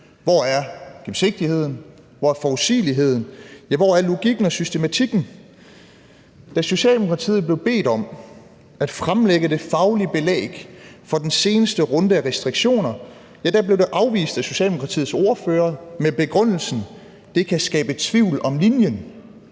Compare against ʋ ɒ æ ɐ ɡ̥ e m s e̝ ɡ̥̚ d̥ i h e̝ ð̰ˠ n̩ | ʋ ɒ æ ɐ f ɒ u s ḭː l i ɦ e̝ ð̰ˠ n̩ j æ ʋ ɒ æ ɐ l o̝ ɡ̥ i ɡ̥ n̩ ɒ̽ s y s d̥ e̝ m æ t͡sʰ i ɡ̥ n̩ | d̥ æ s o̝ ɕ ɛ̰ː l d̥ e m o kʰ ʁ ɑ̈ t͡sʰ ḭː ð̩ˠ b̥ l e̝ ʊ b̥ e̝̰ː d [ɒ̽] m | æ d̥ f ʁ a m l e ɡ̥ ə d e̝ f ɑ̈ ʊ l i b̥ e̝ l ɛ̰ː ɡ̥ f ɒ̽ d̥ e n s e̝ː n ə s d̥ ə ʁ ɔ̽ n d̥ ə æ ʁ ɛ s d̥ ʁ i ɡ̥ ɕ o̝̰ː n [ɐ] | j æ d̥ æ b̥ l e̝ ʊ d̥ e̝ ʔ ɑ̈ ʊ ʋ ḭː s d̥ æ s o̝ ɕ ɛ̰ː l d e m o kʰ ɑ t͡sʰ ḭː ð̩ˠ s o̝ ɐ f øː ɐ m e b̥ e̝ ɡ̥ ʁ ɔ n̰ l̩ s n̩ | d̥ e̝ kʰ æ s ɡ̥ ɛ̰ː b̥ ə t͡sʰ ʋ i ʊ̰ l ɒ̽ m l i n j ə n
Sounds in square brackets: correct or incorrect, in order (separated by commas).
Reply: correct, correct